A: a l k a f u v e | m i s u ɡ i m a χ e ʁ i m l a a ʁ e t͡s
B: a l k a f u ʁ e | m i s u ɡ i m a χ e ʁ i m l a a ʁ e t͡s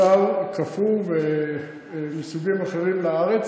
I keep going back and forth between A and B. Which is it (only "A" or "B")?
A